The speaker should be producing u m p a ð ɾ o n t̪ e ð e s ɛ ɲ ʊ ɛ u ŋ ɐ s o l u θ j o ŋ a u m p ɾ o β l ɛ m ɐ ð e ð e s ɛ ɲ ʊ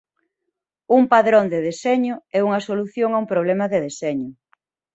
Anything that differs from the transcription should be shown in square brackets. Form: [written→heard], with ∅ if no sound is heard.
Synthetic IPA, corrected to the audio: u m p a ð ɾ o n [t̪→d̪] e ð e s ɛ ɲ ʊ ɛ u ŋ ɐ s o l u θ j o ŋ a u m p ɾ o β l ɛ m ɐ ð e ð e s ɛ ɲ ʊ